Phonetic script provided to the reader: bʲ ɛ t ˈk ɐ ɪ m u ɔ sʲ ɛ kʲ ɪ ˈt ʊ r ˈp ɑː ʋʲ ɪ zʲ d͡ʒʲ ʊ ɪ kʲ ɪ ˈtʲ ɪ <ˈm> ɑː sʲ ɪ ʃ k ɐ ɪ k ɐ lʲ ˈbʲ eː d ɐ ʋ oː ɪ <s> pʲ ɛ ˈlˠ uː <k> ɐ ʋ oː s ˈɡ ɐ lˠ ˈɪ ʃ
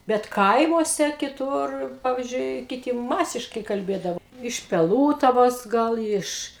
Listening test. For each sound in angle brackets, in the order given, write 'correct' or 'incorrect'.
correct, incorrect: ʃ, incorrect: t

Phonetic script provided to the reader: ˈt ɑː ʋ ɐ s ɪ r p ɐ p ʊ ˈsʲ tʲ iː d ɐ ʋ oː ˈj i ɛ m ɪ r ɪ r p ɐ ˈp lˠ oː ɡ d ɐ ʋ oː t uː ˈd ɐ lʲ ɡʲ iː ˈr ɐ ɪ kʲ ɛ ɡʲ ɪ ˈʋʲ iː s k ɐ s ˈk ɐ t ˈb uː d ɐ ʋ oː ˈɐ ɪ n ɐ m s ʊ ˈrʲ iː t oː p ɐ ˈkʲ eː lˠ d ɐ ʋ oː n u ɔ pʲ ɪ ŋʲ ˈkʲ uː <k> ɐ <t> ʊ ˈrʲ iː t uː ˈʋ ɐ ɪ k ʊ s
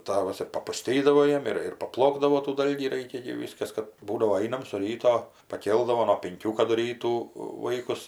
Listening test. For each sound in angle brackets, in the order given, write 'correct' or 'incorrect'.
correct, incorrect: d

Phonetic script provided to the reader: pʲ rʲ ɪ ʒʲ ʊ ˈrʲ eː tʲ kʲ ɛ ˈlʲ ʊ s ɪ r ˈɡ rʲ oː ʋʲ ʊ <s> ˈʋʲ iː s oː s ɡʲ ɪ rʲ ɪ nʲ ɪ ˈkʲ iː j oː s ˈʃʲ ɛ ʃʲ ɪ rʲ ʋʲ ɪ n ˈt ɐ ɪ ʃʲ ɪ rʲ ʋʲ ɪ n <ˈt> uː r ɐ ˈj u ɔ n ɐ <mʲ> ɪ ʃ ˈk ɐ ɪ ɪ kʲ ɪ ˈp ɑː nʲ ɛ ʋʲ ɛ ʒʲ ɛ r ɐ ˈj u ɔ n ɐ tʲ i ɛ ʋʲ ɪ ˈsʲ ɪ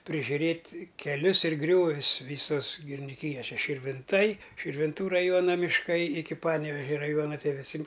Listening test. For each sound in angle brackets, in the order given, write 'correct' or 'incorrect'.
correct, correct, correct

